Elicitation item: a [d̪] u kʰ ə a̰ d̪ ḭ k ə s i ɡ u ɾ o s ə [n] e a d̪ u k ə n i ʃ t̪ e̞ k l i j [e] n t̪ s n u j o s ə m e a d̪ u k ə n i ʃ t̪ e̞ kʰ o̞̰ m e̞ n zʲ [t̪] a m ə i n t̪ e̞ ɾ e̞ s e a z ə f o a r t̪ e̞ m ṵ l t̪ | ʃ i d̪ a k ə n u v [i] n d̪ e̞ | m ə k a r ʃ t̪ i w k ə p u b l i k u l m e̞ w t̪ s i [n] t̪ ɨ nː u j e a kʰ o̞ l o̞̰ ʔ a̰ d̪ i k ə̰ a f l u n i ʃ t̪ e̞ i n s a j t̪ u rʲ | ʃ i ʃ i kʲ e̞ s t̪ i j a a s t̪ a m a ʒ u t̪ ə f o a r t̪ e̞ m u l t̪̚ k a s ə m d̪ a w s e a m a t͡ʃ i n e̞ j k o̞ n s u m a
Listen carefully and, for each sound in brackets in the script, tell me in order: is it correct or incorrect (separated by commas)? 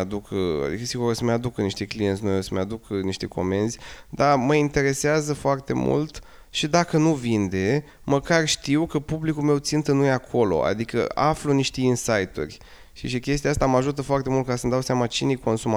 correct, incorrect, correct, incorrect, correct, correct